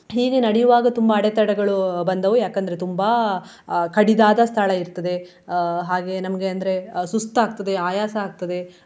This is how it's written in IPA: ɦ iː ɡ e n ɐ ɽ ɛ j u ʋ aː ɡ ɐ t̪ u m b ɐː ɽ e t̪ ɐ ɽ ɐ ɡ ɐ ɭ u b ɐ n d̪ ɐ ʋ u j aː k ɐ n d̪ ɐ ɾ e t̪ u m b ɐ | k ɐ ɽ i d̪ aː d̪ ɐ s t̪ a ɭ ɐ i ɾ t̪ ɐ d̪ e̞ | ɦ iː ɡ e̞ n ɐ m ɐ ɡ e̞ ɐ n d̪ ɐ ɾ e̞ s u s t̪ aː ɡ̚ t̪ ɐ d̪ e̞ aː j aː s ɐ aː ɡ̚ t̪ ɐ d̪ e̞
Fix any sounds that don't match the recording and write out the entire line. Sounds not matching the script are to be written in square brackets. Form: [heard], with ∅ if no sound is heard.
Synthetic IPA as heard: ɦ iː ɡ e n ɐ ɽ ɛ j u ʋ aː ɡ ɐ t̪ u m b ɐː ɽ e t̪ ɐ ɽ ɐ ɡ ɐ ɭ u b ɐ n d̪ ɐ ʋ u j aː k ɐ n d̪ ɐ ɾ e t̪ u m b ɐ | k ɐ ɽ i d̪ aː d̪ ɐ s [t̪ʰ] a ɭ ɐ i ɾ t̪ ɐ d̪ e̞ | ɦ [aː] ɡ e̞ n ɐ m ɐ ɡ e̞ ɐ n d̪ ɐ ɾ e̞ s u s t̪ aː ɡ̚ t̪ ɐ d̪ e̞ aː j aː s ɐ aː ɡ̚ t̪ ɐ d̪ e̞